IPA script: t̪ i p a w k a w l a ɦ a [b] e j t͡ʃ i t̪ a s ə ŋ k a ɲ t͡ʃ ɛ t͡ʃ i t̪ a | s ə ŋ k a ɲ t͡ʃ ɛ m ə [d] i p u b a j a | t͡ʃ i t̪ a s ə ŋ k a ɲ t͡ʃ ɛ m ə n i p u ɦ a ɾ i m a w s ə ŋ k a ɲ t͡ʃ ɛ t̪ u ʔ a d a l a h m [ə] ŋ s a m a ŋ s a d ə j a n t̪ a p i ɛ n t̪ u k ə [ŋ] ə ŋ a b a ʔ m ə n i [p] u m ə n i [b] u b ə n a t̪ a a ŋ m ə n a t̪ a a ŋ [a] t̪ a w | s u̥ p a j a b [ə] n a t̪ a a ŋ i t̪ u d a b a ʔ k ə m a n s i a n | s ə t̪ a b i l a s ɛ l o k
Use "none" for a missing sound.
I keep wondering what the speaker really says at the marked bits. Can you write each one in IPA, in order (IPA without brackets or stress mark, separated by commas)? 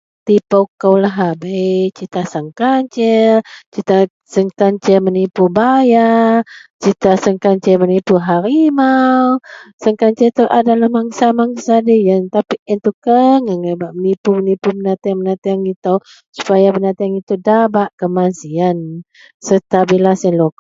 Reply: b, n, a, ŋ, p, p, i, ə